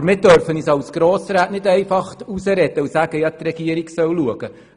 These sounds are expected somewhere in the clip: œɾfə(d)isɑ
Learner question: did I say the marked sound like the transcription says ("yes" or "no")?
no